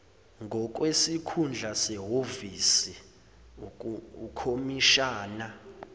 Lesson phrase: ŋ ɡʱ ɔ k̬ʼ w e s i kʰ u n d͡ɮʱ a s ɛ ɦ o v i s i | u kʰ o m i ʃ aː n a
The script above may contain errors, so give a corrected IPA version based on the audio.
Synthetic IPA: ŋ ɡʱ ɔ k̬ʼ w e s i kʰ u n d͡ɮʱ a s ɛ ɦ o v i s i | u kʰ o m i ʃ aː n a